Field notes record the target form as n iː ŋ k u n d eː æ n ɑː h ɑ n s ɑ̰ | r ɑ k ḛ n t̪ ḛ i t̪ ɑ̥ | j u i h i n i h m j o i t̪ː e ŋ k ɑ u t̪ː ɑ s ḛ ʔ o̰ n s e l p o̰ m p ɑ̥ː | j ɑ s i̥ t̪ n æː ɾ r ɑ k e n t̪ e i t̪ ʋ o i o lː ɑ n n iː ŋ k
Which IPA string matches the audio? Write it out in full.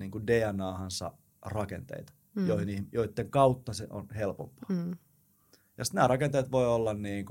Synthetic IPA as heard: n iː ŋ k u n d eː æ n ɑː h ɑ n s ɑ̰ | r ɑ k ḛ n t̪ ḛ i t̪ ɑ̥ | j o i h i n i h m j o i t̪ː e ŋ k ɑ u t̪ː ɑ s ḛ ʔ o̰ n h e l p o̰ m p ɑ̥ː | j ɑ s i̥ t̪ n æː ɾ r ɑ k e n t̪ e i t̪ ʋ o i o lː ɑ n n iː ŋ k